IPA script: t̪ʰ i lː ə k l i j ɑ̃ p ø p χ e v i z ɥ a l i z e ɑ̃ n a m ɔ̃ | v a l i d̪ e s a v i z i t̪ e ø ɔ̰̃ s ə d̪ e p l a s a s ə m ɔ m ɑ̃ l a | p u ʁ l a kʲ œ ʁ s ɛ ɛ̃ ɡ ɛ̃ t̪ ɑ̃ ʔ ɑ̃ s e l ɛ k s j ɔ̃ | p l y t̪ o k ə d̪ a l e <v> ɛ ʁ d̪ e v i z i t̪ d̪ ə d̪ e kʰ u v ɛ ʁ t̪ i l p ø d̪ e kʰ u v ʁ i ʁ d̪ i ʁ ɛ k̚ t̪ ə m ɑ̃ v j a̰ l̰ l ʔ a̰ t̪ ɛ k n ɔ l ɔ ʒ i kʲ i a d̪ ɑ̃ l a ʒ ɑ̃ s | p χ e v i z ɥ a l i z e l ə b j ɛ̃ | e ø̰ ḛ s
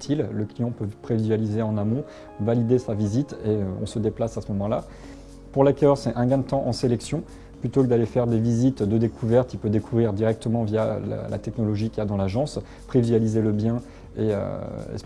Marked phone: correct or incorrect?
incorrect